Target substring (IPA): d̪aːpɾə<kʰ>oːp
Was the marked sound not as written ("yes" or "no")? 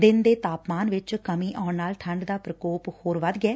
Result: yes